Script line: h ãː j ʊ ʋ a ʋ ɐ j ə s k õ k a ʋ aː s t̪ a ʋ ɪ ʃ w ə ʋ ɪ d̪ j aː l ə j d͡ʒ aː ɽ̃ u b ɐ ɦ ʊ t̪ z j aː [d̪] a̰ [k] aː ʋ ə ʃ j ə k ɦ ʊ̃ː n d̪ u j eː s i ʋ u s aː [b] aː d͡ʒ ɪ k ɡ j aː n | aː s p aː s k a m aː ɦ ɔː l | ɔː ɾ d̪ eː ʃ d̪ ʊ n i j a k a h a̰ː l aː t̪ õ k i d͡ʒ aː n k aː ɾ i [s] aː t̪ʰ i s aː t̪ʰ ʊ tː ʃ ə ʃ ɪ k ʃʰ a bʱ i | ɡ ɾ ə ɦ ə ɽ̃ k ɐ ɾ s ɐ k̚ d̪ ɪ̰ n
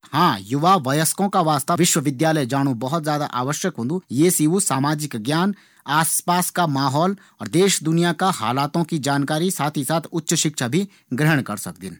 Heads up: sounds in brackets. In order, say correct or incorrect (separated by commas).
correct, incorrect, incorrect, correct